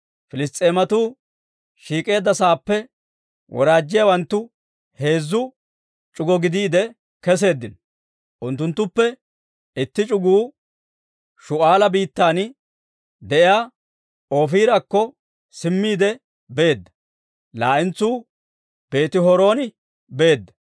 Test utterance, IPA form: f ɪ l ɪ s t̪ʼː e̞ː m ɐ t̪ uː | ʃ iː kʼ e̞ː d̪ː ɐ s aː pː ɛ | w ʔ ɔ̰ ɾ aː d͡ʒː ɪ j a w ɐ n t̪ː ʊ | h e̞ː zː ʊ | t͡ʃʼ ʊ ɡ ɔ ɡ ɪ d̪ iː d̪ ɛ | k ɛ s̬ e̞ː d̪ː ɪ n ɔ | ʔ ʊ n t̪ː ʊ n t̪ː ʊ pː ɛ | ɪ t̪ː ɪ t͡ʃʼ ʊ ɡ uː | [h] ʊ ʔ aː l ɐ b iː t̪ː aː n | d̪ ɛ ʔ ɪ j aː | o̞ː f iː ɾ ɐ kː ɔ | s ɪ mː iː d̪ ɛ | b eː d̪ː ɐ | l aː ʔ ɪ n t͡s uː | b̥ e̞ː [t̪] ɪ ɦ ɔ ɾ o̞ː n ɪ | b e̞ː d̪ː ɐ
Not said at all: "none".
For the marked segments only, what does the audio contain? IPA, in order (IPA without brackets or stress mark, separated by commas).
ʃ, t̪